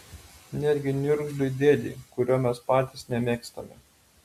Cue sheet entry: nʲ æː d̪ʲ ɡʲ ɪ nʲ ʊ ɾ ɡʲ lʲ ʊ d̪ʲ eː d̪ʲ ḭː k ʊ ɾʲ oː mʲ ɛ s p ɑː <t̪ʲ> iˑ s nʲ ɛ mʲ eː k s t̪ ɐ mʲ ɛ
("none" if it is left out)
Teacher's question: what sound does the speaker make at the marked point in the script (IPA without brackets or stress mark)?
t̪ʲ